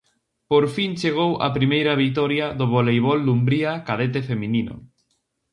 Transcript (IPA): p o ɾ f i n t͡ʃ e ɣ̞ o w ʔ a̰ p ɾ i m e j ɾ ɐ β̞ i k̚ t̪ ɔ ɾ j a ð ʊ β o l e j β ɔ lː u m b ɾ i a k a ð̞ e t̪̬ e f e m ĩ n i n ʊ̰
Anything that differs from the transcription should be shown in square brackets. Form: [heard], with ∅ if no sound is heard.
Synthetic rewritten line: p o ɾ f i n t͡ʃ e ɣ̞ o w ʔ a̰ p ɾ i m e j ɾ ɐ β̞ i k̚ t̪ ɔ ɾ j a ð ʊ β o l e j β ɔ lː u m b ɾ i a k a ð̞ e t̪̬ e f e m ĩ n i n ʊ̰